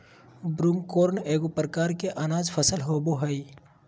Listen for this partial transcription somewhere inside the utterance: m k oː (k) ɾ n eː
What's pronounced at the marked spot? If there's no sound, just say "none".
none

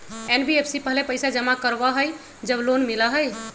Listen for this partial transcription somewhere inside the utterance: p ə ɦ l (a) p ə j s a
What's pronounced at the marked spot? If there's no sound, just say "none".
e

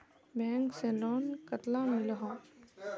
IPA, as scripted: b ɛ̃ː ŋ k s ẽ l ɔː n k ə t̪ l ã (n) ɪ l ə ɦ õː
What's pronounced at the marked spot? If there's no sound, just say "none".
m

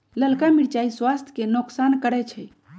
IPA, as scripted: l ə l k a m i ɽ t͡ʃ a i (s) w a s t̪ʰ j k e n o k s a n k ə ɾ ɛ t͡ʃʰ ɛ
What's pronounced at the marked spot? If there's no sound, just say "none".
s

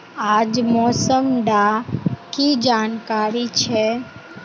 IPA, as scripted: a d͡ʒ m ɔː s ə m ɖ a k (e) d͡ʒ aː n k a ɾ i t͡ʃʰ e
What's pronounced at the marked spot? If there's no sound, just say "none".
i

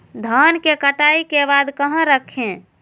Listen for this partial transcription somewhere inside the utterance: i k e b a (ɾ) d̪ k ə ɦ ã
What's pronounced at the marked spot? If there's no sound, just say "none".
none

